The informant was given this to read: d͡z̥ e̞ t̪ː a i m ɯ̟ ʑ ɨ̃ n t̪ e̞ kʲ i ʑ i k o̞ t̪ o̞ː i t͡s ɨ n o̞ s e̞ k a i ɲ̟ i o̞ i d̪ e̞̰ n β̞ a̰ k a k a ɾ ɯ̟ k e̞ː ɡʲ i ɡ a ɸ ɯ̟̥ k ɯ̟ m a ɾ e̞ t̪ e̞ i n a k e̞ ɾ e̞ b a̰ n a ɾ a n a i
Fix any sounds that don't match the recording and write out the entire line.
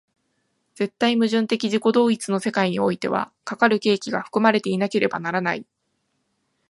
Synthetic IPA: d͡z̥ e̞ t̪ː a i m ɯ̟ ʑ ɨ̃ n t̪ e̞ kʲ i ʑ i k o̞ d̪ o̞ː i t͡s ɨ n o̞ s e̞ k a i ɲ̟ i o̞ i t̪ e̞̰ β̞ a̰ k a k a ɾ ɯ̟ k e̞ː kʲ i ɡ a ɸ ɯ̟̥ k ɯ̟ m a ɾ e̞ t̪ e̞ i n a k e̞ ɾ e̞ b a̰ n a ɾ a n a i